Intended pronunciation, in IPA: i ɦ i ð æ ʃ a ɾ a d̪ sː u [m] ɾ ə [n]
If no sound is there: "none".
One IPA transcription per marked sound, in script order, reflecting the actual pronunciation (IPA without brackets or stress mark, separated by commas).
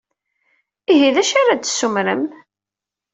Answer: m, m